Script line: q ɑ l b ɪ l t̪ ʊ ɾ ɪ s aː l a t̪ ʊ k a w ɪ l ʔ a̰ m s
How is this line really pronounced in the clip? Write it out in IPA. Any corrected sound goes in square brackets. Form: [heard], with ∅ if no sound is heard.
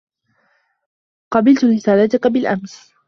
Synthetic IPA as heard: q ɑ [∅] b ɪ l t̪ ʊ ɾ ɪ s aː l a t̪ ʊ k a [b] ɪ l ʔ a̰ m s